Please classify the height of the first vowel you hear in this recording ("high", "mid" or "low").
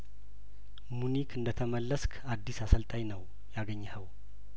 high